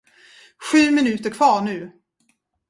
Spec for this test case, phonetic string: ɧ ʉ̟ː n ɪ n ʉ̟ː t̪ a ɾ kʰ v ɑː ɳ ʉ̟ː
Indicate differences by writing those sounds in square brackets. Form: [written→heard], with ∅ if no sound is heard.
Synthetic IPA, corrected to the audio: ɧ ʉ̟ː [n→m] ɪ n ʉ̟ː t̪ [a→ə] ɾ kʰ v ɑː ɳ ʉ̟ː